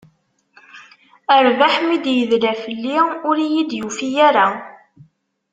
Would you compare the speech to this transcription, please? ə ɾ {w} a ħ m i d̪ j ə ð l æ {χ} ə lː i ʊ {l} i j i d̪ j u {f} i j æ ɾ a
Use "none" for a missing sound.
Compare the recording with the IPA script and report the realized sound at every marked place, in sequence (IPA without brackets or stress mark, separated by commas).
v, f, ɾ, f